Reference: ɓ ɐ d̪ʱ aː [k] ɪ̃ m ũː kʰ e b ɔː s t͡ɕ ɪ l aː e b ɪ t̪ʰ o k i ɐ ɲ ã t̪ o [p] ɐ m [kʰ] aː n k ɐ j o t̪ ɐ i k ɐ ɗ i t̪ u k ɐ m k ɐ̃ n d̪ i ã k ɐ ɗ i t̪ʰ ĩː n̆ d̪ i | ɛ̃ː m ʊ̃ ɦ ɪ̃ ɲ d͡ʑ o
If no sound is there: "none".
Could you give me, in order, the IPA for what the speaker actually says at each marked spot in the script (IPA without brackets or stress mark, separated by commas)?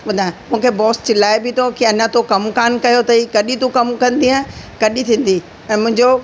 none, k, k